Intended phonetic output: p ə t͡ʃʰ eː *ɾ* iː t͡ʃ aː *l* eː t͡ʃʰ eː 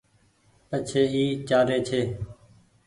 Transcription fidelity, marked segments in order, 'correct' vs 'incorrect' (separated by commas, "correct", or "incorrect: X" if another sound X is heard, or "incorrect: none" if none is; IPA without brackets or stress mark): incorrect: none, incorrect: ɾ